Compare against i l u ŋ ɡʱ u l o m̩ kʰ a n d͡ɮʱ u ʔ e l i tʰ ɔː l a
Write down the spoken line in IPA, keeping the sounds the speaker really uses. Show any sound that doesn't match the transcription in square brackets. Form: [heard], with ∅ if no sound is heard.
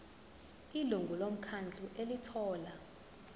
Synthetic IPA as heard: i l u ŋ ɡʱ u l o m̩ kʰ a n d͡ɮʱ u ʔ e l i tʰ ɔː l a